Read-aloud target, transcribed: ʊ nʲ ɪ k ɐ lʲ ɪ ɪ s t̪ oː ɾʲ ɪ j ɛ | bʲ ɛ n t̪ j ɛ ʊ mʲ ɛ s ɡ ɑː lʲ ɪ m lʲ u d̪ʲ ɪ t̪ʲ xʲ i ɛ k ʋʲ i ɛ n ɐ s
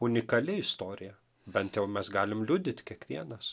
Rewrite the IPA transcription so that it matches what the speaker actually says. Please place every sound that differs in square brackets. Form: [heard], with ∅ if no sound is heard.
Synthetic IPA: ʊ nʲ ɪ k ɐ lʲ ɪ ɪ s t̪ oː ɾʲ ɪ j ɛ | bʲ ɛ n t̪ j ɛ ʊ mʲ ɛ s ɡ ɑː lʲ ɪ m lʲ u d̪ʲ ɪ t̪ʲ [kʲ] i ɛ k ʋʲ i ɛ n ɐ s